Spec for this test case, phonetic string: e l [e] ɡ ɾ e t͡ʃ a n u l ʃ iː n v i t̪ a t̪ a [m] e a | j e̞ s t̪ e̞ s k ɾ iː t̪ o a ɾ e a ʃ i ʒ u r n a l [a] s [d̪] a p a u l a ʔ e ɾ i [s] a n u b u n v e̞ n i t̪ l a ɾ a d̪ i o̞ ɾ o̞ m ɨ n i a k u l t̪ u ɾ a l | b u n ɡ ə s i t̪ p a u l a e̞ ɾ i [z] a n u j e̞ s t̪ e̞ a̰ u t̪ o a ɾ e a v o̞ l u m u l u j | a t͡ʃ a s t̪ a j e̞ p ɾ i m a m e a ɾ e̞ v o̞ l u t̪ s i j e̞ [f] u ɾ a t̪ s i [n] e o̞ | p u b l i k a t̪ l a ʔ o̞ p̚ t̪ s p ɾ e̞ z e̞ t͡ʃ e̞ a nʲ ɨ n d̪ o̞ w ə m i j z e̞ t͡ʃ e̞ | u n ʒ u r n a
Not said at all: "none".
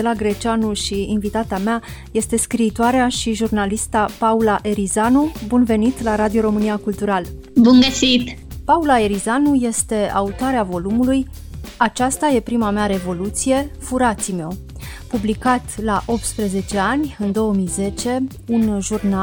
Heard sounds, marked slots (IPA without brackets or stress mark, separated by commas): a, m, i, t̪, z, z, f, m